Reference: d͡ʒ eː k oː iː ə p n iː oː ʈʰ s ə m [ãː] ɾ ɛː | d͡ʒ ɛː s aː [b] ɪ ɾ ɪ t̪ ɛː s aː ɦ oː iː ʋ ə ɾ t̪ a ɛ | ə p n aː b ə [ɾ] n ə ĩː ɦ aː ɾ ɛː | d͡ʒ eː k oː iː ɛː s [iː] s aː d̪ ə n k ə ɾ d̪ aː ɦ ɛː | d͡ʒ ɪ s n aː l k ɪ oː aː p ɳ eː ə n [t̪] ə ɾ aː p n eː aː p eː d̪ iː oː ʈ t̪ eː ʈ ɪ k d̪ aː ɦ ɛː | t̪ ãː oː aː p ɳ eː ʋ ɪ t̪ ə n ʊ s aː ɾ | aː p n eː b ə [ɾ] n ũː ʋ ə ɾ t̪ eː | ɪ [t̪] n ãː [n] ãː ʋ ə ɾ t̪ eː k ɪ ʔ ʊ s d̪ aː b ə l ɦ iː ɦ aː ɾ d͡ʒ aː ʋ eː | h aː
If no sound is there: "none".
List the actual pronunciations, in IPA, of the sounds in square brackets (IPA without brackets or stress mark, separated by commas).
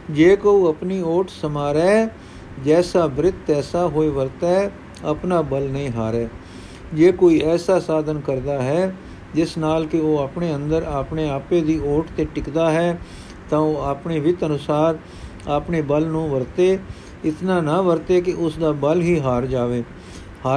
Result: aː, b, l, aː, d̪, l, t̪, n